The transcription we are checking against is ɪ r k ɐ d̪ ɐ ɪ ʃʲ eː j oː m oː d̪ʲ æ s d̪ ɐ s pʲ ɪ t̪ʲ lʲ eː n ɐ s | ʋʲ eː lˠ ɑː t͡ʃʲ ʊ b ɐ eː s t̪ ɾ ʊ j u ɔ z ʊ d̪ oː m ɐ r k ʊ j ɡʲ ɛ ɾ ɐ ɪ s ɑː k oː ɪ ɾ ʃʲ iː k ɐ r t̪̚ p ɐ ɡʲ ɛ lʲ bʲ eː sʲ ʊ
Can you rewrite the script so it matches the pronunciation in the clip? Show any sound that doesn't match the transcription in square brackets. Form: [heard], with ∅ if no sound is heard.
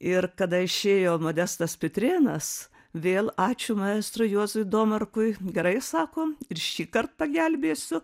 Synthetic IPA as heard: ɪ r k ɐ d̪ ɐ ɪ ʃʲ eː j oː m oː d̪ʲ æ s [t̪] ɐ s pʲ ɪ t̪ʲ [ɾʲ] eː n ɐ s | ʋʲ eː lˠ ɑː t͡ʃʲ ʊ [m] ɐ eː s t̪ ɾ ʊ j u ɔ z ʊ d̪ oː m ɐ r k ʊ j ɡʲ ɛ ɾ ɐ ɪ s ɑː k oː ɪ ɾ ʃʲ iː k ɐ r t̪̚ p ɐ ɡʲ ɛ lʲ bʲ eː sʲ ʊ

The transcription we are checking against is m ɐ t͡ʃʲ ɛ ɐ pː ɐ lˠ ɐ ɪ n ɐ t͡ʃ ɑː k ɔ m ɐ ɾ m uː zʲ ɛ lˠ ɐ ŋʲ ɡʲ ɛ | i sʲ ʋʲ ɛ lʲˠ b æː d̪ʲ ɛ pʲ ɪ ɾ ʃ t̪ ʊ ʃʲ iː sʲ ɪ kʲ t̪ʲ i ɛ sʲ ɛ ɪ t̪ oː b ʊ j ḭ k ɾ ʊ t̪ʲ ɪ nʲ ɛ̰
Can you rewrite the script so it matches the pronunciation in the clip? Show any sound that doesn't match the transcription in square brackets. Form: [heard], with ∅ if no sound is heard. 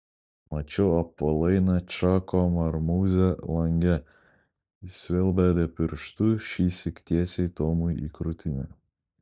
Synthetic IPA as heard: m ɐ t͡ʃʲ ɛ ɐ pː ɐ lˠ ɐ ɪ n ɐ t͡ʃ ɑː k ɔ m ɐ ɾ m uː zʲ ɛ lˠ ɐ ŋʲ ɡʲ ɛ | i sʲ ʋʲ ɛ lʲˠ b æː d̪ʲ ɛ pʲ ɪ ɾ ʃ t̪ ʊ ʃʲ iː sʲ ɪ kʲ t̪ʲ i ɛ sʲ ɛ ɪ t̪ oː [m] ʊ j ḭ k ɾ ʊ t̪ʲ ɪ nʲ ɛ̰

